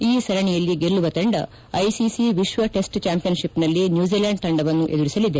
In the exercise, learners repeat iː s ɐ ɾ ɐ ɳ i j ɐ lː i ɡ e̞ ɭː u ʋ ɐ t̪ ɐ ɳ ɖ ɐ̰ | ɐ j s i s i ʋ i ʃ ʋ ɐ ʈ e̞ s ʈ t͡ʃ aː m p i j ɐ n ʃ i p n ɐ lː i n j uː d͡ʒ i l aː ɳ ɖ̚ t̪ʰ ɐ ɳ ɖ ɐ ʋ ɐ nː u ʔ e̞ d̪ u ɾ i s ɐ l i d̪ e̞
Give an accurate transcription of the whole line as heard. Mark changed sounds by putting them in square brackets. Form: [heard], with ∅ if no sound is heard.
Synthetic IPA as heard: iː s ɐ ɾ ɐ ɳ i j ɐ lː i ɡ e̞ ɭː u ʋ ɐ t̪ ɐ ɳ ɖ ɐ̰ | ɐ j s i s i ʋ i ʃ ʋ ɐ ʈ e̞ s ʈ t͡ʃ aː m p i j ɐ n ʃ i p n ɐ lː i n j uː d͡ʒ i l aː ɳ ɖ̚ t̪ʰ ɐ ɳ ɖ ɐ ʋ ɐ nː u ʔ e̞ d̪ u ɾ i s ɐ l i d̪ e̞

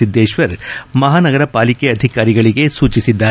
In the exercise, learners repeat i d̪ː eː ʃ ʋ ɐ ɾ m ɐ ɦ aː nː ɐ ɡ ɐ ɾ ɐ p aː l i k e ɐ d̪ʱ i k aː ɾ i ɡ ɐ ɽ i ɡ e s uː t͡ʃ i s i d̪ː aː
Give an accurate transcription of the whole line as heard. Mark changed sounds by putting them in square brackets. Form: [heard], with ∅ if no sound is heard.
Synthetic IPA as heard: i d̪ː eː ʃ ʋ ɐ ɾ m ɐ ɦ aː [n] ɐ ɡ ɐ ɾ ɐ p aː l i k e ɐ d̪ʱ i k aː ɾ i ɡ ɐ [ɭ] i ɡ e s uː t͡ʃ i s i d̪ː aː

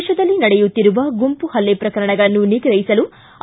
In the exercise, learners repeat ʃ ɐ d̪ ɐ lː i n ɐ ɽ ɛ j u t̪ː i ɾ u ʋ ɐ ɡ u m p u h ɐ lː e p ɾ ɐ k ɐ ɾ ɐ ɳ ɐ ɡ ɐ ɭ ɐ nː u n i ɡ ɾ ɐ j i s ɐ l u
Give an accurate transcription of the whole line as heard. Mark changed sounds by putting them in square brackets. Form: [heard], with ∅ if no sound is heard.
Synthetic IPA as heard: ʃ ɐ d̪ ɐ lː i n ɐ ɽ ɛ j u t̪ː i ɾ u ʋ ɐ ɡ u m p u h ɐ lː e p ɾ ɐ k ɐ ɾ ɐ ɳ ɐ ɡ ɐ ɭ ɐ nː u n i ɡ ɾ ɐ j i s ɐ l u

